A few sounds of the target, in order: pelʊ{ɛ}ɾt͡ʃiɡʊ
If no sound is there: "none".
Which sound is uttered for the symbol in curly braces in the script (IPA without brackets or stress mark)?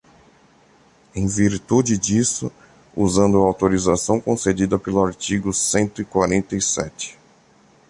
a